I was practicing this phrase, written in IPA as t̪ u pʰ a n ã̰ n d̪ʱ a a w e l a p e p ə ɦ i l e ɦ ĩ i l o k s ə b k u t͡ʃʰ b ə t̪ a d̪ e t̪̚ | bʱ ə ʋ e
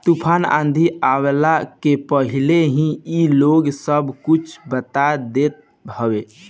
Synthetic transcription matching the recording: t̪ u pʰ a n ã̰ n d̪ʱ i a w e l a k e p ə ɦ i l e ɦ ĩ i l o ɡ s ə b k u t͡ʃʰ b ə t̪ a d̪ e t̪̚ | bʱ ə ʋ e